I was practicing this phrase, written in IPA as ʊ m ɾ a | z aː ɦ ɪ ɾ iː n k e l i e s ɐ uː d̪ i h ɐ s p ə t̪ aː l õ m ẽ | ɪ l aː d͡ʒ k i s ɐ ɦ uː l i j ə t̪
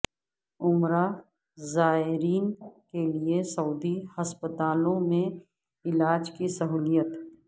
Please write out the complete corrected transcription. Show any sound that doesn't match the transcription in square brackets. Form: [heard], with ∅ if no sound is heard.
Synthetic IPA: ʊ m ɾ a | z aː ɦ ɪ ɾ iː n k e l i e s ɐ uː d̪ i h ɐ s p ə t̪ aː l õ m ẽ | ɪ l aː d͡ʒ k i s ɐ ɦ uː l i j ə t̪